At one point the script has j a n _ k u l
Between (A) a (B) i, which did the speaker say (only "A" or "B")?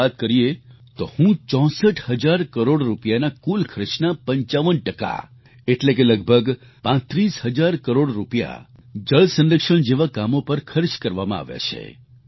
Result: A